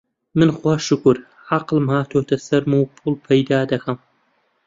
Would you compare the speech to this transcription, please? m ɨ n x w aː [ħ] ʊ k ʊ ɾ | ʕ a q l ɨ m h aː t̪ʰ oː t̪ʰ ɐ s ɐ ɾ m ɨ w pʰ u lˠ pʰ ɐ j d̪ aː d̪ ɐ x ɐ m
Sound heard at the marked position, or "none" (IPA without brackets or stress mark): ʃ